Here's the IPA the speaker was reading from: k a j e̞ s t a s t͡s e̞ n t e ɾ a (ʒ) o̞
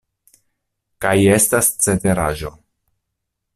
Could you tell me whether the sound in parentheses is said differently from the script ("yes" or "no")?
no